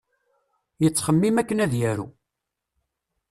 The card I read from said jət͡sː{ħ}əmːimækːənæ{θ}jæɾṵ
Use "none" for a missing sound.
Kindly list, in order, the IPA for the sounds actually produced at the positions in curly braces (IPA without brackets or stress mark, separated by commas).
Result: χ, ð